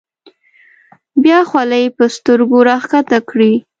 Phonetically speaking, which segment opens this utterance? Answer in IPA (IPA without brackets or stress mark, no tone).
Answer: b